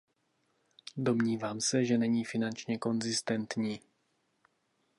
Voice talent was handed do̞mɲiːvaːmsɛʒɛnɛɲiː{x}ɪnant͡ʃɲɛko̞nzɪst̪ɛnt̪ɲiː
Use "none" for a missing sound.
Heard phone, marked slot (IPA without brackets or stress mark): f